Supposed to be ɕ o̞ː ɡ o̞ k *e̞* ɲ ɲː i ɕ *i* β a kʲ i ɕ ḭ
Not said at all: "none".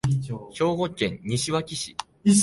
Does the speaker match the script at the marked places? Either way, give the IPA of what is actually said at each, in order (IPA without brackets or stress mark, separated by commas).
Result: ẽ̞, i